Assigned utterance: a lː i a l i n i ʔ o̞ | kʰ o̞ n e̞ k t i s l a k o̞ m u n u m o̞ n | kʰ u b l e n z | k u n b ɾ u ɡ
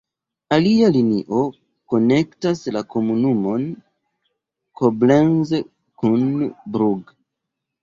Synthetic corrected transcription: a l i a l i n i ʔ o̞ | k o̞ n e̞ k t a s l a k o̞ m u n u m o̞ n | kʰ o b l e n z | k u n b ɾ u ɡ